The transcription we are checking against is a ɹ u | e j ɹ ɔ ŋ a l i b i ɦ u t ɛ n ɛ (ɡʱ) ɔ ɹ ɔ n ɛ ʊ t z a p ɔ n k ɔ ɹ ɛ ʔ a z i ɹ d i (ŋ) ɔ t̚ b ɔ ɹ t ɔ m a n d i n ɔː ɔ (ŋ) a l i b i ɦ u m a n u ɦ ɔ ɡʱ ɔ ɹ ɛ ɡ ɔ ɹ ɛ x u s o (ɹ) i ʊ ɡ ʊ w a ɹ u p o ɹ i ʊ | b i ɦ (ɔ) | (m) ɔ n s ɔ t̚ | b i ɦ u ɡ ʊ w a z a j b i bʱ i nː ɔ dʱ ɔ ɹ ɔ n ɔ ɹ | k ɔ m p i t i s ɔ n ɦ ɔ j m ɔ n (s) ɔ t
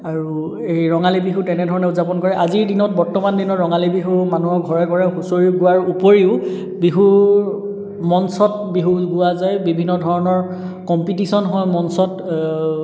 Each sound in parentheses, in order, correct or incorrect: incorrect, incorrect, correct, correct, incorrect, correct, correct

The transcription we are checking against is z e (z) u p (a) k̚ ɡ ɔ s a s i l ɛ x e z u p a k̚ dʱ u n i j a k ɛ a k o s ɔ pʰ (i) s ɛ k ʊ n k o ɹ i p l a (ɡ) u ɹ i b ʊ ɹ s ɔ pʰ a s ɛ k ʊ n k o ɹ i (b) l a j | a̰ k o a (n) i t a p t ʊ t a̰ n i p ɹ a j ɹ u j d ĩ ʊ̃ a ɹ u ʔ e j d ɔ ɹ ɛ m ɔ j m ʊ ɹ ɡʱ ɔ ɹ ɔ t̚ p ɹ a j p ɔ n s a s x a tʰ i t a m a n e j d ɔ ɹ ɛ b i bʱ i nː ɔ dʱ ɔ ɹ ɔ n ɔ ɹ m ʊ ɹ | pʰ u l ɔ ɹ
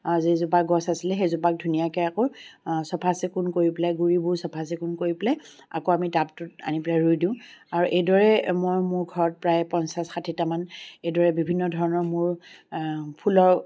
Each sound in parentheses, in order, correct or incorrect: correct, correct, incorrect, correct, incorrect, incorrect

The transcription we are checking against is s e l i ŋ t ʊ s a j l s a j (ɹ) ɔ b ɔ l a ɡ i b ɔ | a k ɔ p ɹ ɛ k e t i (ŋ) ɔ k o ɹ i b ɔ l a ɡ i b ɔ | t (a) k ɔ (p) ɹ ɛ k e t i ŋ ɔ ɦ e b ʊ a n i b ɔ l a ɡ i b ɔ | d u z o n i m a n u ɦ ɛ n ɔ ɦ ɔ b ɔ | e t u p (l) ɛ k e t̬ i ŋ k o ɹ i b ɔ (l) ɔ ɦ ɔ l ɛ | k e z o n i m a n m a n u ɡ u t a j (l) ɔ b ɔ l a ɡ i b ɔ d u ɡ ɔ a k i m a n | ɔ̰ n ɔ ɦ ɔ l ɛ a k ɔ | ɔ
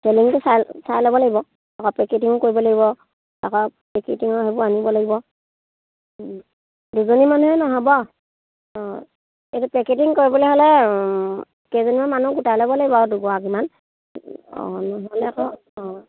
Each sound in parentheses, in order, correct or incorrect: incorrect, correct, correct, correct, incorrect, correct, correct

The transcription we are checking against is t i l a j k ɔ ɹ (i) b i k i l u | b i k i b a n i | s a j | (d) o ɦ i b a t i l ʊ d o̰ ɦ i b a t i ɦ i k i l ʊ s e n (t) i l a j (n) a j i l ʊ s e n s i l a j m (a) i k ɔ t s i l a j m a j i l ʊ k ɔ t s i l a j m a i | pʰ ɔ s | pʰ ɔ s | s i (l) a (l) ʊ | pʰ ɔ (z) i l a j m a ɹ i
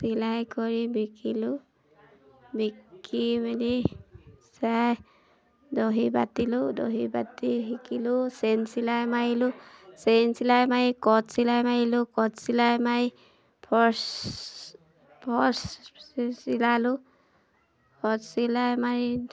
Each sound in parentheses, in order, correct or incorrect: correct, correct, incorrect, incorrect, correct, correct, correct, incorrect

